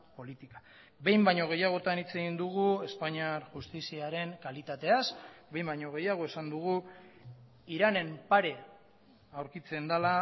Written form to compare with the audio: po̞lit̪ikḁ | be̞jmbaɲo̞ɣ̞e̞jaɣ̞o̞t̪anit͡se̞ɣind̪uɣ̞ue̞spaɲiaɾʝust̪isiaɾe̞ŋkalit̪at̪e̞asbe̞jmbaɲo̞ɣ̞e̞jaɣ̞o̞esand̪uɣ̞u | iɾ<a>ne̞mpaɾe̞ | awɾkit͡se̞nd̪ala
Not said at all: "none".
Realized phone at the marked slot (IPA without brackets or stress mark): a